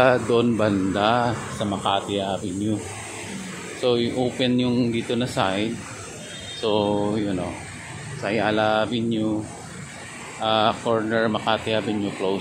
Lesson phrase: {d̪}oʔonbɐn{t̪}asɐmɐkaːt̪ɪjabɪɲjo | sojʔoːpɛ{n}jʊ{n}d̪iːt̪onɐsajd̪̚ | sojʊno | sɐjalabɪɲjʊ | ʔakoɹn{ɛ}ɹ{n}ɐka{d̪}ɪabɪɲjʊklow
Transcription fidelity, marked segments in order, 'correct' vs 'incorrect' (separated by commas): correct, incorrect, correct, incorrect, correct, incorrect, incorrect